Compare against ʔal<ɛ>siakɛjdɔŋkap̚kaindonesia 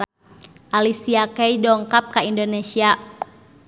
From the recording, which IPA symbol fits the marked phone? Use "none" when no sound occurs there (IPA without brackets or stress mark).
i